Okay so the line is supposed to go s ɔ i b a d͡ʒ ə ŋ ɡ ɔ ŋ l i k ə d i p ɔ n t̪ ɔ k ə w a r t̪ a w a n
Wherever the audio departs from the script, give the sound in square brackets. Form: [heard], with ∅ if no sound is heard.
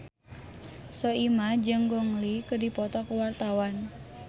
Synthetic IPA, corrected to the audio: s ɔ i [m] a d͡ʒ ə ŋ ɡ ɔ ŋ l i k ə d i p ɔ [∅] t̪ ɔ k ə w a r t̪ a w a n